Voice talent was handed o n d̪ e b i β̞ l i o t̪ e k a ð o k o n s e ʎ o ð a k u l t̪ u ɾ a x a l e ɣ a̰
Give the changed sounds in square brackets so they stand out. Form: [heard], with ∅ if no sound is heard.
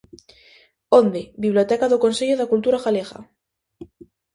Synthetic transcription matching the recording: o n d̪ e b i β̞ l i o t̪ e k a ð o k o n s e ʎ o ð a k u l t̪ u ɾ a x a l e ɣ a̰